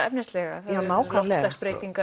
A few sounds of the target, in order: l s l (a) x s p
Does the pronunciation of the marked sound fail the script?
yes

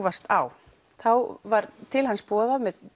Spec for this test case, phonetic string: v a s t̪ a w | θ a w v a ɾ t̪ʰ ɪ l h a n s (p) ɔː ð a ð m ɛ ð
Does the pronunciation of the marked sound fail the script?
no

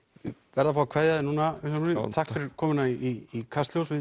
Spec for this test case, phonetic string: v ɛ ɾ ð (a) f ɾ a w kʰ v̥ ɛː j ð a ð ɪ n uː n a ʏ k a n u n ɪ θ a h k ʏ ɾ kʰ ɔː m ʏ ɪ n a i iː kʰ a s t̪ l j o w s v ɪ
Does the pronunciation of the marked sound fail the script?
no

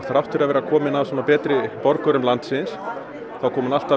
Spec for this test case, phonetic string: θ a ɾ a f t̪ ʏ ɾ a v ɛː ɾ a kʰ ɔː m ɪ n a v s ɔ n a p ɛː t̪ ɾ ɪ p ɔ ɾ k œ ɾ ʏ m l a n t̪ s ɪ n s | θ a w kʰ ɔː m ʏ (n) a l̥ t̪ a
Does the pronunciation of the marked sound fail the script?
no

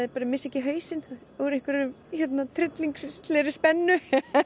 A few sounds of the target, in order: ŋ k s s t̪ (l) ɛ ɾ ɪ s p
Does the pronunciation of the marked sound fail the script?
no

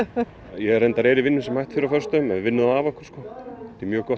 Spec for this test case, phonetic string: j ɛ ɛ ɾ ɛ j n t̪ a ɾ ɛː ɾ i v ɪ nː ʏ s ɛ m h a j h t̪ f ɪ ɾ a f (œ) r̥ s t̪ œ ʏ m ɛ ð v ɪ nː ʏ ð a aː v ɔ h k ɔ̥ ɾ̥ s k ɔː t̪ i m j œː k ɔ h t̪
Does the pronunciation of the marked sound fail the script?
no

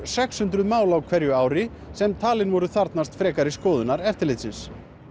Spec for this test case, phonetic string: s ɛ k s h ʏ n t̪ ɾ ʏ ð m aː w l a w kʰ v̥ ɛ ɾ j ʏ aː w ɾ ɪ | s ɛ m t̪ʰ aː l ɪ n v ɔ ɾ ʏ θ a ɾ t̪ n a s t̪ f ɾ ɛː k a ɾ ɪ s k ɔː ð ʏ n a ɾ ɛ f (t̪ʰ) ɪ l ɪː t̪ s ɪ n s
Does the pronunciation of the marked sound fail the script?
yes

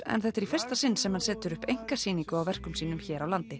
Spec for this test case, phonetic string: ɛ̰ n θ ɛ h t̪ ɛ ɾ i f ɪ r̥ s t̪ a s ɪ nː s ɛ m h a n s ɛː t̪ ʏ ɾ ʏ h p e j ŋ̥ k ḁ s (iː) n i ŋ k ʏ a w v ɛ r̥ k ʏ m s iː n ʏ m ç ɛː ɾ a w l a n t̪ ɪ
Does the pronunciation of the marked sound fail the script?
no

